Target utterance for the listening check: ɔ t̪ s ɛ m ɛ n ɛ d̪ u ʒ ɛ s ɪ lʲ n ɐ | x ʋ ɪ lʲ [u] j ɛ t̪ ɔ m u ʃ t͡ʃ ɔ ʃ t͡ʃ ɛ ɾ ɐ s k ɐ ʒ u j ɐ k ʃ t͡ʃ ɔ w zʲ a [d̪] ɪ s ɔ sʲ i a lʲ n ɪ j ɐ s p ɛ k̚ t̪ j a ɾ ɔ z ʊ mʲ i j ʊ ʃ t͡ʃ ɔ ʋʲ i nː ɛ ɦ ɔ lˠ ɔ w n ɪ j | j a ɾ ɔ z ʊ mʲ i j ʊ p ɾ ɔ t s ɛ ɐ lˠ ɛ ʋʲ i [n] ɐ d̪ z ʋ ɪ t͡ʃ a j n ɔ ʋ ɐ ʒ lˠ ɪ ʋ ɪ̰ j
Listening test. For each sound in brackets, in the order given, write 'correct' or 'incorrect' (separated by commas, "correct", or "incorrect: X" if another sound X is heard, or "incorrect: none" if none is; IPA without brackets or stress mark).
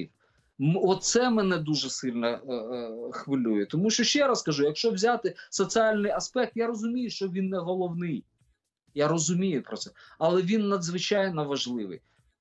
correct, incorrect: t̪, incorrect: nː